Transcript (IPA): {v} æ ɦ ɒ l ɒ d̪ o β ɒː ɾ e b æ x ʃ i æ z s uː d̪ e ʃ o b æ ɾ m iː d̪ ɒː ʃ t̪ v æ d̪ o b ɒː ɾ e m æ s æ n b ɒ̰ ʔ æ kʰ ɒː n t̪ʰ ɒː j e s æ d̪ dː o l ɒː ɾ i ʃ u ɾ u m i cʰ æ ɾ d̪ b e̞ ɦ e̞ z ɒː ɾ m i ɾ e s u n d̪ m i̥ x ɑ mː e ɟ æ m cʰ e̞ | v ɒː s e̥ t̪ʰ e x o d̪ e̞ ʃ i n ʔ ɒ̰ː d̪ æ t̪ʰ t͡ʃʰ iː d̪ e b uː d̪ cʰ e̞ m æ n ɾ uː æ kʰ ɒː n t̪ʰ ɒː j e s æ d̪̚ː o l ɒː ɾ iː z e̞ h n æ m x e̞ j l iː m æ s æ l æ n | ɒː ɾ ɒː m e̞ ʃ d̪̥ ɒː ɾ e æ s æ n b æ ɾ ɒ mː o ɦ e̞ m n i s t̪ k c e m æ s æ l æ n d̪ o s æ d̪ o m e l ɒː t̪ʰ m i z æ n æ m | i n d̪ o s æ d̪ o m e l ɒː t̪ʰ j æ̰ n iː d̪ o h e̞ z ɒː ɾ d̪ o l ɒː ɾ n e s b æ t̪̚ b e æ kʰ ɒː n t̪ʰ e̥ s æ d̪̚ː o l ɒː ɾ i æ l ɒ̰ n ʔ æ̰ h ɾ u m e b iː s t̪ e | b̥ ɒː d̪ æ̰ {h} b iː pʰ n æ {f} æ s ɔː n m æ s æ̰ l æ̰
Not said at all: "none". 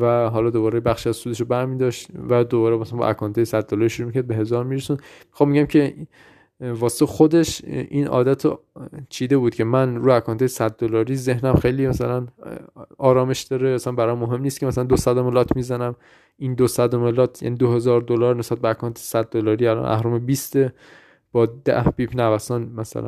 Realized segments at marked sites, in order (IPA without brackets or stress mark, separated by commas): v, h, v